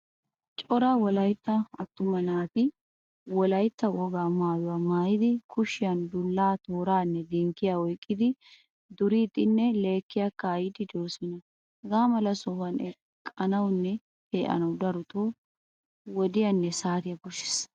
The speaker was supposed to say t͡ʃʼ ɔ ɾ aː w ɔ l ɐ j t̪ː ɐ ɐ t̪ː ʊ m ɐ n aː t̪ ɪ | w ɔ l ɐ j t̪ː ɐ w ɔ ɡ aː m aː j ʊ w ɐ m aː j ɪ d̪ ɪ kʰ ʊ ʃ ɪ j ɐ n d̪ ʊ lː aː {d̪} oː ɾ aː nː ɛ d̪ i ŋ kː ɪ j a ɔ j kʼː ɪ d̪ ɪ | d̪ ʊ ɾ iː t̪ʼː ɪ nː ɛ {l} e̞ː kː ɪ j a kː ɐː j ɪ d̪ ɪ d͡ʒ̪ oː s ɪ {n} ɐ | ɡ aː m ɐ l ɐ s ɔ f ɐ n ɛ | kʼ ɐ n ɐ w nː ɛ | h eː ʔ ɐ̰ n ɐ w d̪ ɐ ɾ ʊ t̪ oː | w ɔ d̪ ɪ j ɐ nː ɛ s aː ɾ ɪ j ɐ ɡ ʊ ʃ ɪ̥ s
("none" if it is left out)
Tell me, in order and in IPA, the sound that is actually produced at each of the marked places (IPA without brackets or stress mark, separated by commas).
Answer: t̪, l, n